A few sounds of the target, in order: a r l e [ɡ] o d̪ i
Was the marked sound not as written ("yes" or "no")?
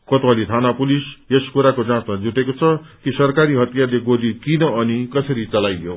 no